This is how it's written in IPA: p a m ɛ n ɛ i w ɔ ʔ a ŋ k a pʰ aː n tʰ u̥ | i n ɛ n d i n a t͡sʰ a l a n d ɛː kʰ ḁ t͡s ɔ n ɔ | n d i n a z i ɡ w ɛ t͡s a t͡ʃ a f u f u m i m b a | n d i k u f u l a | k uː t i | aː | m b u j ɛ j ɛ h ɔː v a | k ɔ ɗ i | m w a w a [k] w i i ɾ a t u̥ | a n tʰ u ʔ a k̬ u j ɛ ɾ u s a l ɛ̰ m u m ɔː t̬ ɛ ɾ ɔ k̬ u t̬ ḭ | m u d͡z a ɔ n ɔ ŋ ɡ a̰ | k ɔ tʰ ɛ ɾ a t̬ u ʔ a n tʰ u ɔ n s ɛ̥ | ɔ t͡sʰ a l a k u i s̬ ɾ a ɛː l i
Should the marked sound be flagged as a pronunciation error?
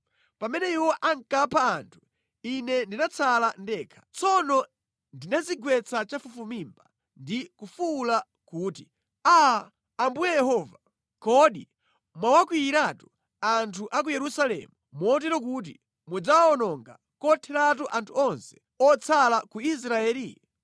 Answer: no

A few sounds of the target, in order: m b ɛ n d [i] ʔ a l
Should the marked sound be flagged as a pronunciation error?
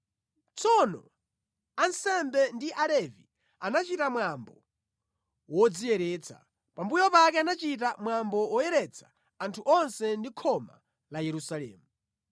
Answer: no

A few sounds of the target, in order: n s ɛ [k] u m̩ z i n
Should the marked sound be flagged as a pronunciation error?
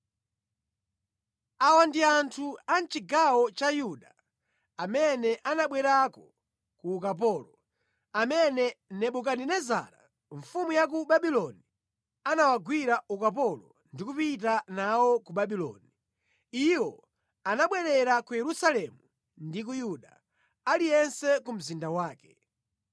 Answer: no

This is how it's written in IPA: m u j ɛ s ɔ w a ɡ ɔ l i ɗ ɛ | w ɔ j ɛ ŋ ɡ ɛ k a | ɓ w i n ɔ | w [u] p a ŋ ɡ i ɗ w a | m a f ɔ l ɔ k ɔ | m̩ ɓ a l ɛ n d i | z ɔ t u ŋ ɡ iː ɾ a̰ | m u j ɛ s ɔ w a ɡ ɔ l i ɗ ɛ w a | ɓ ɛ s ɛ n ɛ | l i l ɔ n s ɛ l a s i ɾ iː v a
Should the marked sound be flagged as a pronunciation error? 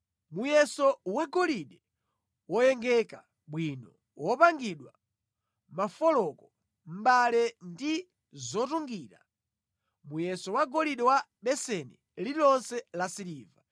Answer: yes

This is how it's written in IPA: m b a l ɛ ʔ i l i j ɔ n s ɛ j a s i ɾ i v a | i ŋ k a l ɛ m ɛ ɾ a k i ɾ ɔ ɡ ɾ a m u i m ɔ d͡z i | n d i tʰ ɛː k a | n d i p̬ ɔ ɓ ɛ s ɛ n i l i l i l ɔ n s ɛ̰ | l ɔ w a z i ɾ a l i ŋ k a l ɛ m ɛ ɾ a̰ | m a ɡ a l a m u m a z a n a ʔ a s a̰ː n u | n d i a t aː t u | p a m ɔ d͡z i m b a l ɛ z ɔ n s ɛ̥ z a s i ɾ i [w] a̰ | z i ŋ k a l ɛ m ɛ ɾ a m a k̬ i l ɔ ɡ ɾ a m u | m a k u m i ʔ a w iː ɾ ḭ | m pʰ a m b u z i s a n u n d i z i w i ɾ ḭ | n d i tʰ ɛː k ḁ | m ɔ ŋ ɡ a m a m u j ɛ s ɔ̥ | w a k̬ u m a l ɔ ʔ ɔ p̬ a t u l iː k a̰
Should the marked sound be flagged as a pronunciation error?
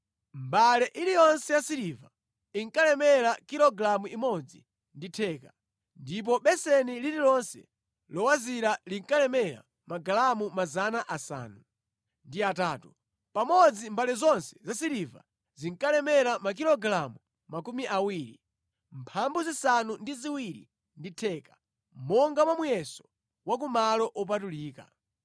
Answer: yes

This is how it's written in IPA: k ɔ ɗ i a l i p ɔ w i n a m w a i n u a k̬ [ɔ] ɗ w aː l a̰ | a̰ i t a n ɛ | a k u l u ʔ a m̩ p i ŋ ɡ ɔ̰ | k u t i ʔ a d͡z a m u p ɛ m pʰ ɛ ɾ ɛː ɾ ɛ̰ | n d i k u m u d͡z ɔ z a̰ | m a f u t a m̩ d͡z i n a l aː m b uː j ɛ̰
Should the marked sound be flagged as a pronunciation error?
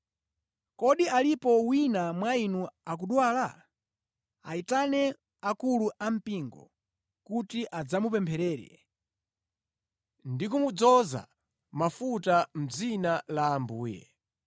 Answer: yes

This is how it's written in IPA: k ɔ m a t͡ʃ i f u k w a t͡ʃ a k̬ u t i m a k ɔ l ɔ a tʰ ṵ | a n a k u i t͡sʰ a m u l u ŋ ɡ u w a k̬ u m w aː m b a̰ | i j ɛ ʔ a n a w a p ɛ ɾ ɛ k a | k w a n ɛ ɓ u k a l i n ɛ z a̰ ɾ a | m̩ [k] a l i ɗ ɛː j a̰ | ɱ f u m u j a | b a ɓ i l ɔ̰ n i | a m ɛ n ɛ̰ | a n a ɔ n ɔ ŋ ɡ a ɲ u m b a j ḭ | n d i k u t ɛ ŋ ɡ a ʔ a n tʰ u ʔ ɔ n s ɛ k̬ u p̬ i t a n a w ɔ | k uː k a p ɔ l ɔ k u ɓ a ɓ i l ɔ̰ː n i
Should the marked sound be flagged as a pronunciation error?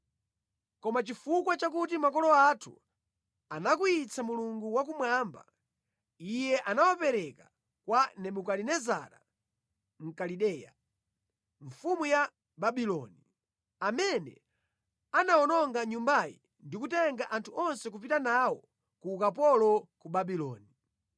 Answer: no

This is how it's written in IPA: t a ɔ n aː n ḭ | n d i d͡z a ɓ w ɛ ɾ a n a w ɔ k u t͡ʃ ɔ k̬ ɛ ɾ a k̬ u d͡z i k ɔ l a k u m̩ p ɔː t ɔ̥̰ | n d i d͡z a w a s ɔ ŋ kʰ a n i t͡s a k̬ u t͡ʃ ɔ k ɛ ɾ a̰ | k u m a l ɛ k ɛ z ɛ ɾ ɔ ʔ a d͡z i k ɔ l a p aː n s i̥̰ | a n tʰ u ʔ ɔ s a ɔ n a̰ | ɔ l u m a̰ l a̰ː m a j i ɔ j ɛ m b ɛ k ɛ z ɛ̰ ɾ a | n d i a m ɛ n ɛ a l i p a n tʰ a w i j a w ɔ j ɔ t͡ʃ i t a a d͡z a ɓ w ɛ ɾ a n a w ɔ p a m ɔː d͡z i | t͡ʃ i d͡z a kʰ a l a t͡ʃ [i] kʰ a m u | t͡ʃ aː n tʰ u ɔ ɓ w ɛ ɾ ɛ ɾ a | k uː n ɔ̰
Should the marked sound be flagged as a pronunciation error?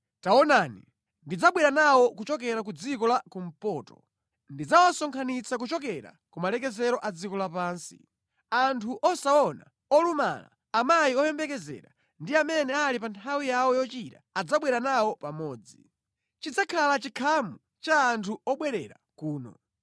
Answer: no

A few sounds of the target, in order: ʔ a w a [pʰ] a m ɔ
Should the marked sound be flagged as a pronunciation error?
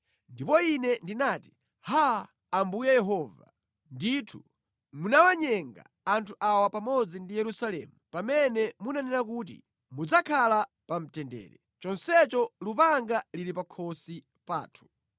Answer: yes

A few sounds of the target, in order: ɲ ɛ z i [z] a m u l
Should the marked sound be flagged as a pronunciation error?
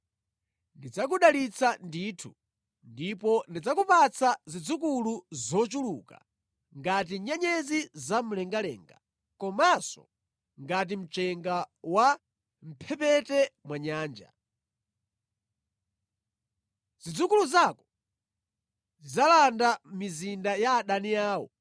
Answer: no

